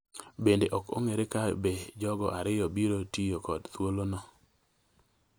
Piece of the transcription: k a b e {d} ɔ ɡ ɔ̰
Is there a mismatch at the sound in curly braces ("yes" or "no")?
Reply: yes